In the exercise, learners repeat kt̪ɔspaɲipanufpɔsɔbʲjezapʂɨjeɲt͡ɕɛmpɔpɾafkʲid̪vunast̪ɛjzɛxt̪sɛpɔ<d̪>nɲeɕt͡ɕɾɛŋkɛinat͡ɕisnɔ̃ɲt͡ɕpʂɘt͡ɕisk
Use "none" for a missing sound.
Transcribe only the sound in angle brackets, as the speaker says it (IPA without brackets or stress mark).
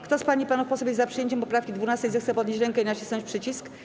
d̪